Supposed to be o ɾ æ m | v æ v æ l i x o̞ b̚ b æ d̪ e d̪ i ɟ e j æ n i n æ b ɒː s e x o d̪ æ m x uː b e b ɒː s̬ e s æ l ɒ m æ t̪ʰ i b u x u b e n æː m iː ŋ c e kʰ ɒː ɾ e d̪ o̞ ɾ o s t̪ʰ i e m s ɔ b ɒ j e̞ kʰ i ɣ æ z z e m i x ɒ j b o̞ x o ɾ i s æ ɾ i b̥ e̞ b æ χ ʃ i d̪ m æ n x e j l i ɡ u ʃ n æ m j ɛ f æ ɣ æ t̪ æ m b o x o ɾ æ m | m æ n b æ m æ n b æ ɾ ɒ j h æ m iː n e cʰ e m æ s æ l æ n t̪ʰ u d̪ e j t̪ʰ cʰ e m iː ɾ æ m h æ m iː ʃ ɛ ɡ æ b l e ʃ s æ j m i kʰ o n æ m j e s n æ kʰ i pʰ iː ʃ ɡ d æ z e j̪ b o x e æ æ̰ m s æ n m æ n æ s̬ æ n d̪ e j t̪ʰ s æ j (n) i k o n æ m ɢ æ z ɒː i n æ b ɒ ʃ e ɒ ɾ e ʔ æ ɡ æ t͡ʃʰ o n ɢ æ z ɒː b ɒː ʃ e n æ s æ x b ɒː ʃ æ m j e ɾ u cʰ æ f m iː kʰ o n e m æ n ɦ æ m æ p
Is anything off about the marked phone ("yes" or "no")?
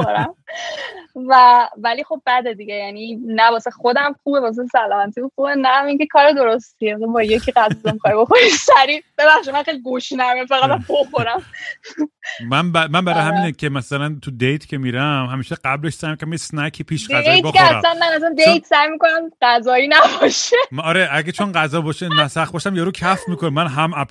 yes